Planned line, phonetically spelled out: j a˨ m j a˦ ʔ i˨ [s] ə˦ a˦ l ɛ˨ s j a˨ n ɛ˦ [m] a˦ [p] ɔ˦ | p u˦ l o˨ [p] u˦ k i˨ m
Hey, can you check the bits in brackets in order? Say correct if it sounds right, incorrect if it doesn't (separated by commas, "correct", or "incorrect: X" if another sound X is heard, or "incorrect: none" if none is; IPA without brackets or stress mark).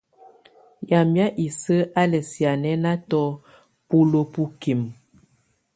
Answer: correct, incorrect: n, incorrect: t, correct